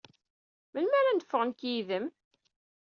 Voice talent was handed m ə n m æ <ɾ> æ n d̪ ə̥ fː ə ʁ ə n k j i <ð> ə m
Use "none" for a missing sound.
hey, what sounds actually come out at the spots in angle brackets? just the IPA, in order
ɾ, ð

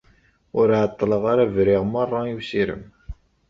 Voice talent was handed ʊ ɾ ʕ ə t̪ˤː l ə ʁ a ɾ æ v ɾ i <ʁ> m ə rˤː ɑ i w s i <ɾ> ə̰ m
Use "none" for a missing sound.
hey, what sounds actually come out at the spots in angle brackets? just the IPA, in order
ʁ, ɾ

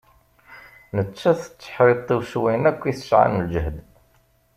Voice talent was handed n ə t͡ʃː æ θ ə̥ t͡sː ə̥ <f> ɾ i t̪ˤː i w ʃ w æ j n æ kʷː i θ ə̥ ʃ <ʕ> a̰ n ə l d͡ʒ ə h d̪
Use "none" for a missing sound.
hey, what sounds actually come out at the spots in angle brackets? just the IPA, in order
ħ, ʕ

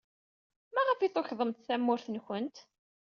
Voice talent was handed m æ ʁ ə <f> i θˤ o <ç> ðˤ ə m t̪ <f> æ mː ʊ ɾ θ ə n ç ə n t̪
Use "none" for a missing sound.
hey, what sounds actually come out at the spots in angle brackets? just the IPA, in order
f, ç, θ

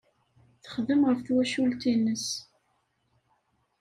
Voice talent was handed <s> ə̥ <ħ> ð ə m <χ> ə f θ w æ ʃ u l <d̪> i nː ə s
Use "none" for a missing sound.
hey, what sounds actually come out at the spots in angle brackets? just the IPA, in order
θ, χ, ʁ, t̪

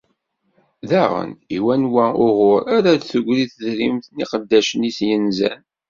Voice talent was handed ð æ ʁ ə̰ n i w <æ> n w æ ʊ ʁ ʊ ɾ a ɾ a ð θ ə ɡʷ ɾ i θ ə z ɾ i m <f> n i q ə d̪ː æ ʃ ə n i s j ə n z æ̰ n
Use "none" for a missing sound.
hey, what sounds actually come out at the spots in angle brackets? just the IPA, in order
æ, θ

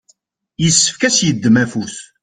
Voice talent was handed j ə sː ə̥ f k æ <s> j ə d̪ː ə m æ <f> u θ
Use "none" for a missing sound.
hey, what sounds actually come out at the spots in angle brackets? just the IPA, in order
s, f

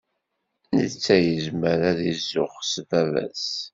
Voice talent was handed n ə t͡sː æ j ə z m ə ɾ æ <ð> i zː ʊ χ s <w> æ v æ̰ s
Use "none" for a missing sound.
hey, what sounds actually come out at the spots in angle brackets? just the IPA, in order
ð, v

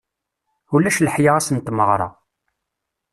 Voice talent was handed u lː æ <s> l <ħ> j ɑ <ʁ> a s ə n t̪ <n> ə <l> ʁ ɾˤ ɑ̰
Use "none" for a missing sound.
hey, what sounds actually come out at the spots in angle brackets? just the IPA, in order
ʃ, ħ, ʁ, m, none

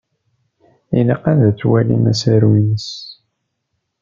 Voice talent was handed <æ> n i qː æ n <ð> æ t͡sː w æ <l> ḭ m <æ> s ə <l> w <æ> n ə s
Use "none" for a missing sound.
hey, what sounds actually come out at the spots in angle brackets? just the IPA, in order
i, ð, l, æ, ɾ, i

